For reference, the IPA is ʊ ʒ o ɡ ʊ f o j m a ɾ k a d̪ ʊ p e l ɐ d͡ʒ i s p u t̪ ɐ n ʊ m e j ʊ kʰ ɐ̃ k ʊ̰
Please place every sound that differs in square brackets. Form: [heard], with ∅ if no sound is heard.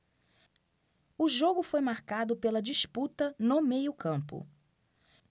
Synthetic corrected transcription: ʊ ʒ o ɡ ʊ f o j m a ɾ k a d̪ ʊ p e l ɐ d͡ʒ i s p u t̪ ɐ n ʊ m e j ʊ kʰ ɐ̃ [p] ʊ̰